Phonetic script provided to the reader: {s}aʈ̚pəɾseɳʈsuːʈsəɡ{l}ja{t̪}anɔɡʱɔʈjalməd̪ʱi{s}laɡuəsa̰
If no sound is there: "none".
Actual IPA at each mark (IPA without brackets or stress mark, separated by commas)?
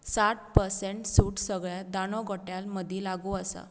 s, ɭ, d̪, none